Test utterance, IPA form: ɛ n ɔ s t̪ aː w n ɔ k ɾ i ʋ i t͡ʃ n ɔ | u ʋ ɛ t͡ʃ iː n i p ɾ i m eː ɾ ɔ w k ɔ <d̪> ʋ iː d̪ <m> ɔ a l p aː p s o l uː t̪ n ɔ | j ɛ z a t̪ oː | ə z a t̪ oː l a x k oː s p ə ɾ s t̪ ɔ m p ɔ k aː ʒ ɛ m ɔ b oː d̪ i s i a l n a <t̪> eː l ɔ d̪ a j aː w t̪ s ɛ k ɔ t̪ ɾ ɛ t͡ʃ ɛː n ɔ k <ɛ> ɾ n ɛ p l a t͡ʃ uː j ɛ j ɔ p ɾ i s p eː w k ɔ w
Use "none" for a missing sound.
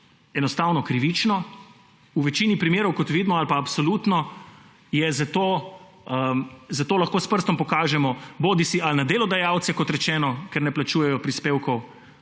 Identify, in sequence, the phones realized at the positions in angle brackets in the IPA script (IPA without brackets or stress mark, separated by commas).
t̪, m, d̪, ɛ